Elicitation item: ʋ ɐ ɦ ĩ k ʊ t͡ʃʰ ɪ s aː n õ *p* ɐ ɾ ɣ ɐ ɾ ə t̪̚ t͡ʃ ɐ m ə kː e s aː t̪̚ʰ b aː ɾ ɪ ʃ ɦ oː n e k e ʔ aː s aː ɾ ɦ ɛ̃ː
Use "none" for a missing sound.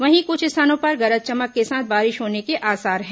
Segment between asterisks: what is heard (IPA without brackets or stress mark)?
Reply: p